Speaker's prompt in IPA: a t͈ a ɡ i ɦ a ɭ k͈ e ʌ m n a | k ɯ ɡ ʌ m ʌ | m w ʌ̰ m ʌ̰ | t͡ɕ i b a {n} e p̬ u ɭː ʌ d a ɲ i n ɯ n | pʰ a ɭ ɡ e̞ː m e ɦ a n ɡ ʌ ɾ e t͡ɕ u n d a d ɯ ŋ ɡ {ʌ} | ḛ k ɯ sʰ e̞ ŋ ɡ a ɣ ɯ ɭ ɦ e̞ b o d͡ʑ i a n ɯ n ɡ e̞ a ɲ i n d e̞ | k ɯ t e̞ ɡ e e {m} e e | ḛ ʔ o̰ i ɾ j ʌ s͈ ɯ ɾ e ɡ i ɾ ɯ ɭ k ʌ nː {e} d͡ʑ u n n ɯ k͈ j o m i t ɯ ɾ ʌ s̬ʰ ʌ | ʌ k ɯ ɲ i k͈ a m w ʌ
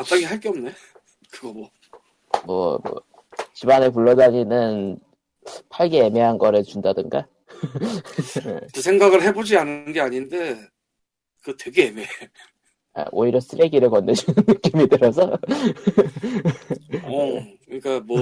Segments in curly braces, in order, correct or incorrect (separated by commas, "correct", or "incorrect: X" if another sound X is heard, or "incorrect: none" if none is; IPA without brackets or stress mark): correct, incorrect: a, correct, correct